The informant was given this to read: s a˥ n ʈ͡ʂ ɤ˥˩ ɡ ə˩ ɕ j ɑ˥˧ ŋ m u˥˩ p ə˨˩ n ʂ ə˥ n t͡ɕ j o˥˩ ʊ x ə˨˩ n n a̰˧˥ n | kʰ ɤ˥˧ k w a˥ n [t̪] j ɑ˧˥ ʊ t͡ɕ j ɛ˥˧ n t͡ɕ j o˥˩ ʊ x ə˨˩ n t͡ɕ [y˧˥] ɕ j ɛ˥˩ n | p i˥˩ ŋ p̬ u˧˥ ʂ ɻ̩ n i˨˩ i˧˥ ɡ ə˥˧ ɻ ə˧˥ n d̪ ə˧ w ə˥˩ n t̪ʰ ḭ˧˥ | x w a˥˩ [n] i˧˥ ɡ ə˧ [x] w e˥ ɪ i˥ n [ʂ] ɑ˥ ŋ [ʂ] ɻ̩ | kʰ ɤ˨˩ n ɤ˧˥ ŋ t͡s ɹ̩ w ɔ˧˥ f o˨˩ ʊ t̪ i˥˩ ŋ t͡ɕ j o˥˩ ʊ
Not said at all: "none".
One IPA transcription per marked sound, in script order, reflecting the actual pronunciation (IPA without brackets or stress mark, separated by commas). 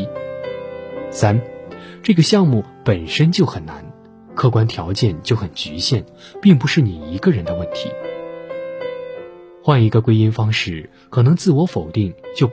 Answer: t̪ʰ, y˧˥, n, k, f, ʂ